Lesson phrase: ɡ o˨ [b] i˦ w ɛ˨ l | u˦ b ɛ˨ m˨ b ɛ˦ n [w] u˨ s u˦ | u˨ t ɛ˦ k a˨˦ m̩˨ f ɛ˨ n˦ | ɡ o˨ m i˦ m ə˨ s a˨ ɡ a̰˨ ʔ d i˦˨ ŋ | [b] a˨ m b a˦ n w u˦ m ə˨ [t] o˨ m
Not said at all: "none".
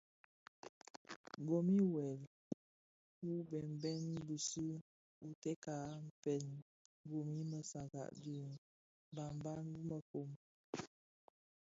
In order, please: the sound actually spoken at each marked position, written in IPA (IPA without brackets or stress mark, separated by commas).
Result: m, b, b, k